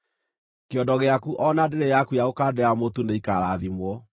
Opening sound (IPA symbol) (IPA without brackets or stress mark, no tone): k